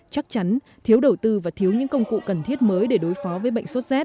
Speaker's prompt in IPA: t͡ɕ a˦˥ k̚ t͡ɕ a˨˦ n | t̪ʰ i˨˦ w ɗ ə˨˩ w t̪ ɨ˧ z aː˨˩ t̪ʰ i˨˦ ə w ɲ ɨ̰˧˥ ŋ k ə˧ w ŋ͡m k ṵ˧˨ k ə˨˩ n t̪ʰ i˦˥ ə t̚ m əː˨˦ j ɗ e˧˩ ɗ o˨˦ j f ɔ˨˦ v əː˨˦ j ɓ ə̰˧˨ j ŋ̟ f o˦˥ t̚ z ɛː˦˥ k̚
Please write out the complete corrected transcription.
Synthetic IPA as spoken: t͡ɕ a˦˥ k̚ t͡ɕ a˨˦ n | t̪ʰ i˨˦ w ɗ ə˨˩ w t̪ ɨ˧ v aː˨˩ t̪ʰ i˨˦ ə w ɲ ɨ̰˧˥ ŋ k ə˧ w ŋ͡m k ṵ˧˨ k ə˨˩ n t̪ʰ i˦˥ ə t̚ m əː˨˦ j ɗ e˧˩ ɗ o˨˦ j f ɔ˨˦ v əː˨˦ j ɓ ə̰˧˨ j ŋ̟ s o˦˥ t̚ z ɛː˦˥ t̚

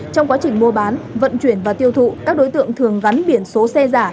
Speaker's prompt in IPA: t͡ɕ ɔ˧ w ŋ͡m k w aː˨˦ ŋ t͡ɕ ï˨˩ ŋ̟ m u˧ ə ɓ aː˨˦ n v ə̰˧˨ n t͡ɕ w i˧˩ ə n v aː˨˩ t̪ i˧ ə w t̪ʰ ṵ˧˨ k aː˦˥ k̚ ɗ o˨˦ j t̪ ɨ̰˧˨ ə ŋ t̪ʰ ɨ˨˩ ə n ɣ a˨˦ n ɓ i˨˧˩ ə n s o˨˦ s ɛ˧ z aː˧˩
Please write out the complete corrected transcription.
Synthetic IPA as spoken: t͡ɕ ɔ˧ w ŋ͡m k w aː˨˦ t͡ɕ ï˨˩ ŋ̟ m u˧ ə ɓ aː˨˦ n v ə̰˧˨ n t͡ɕ w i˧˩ ə n v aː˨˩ t̪ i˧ ə w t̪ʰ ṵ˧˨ k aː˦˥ k̚ ɗ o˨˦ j t̪ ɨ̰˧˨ ə ŋ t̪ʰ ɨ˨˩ ə ŋ ɣ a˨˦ n ɓ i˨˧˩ ə n s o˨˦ s ɛ˧ z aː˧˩

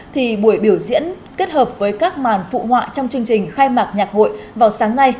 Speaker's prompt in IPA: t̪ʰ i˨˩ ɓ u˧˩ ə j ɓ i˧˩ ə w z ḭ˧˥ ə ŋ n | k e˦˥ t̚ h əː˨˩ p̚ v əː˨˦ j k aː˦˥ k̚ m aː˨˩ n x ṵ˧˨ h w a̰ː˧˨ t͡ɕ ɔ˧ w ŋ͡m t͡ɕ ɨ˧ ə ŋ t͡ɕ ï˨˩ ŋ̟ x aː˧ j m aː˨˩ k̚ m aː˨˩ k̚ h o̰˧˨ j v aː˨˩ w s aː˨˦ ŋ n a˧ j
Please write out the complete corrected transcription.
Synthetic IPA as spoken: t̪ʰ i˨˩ ɓ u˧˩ ə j ɓ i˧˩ ə w z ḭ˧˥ ə n | k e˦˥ t̚ h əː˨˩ p̚ v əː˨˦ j k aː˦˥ k̚ m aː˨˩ n f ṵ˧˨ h w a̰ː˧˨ t͡ɕ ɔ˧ w ŋ͡m t͡ɕ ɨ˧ ə ŋ t͡ɕ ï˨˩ ŋ̟ x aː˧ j m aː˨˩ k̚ ɲ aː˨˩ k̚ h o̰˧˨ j v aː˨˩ w s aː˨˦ ŋ n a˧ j

